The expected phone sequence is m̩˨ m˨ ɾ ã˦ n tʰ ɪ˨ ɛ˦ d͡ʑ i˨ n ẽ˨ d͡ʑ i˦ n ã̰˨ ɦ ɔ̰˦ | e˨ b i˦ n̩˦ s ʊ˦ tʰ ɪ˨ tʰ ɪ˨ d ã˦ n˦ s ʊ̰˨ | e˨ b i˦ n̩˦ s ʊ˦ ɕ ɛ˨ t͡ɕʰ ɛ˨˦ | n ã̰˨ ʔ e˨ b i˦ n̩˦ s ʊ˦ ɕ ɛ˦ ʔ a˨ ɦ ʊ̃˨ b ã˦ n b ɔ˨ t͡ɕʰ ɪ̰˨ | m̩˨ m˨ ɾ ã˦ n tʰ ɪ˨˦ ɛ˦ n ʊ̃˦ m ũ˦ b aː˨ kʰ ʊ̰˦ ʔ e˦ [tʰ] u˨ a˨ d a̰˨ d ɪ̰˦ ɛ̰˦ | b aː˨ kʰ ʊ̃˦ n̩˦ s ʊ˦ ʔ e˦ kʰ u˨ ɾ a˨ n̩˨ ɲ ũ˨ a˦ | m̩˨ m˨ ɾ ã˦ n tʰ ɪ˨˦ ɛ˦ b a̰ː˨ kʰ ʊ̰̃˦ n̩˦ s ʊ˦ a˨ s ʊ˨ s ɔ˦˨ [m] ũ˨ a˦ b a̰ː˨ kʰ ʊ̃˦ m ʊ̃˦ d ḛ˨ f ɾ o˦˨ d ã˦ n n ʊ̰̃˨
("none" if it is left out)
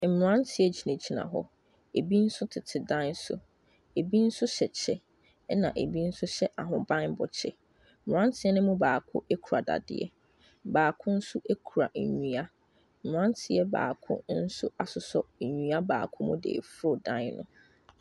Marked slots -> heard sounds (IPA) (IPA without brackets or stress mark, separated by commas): kʰ, ɲ